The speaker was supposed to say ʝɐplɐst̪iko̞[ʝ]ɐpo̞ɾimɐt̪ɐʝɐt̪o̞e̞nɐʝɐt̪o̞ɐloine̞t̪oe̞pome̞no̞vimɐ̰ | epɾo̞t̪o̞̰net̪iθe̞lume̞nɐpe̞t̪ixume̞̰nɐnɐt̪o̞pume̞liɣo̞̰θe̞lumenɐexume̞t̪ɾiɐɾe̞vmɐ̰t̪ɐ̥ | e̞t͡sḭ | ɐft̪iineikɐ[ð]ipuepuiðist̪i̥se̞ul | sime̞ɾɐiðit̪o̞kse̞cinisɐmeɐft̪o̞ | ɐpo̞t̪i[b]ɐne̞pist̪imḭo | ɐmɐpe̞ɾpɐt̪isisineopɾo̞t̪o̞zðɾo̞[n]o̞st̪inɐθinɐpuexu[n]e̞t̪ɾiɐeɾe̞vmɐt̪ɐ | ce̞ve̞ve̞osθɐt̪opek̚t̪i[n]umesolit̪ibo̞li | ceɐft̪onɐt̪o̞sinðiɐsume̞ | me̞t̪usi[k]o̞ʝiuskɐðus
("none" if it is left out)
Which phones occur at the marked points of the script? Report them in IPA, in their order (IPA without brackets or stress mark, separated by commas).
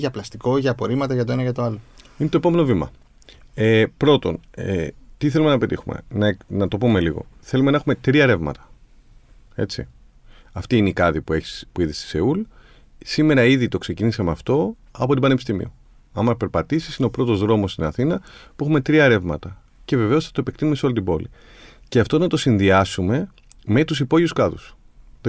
ʝ, ð, b, m, m, n, p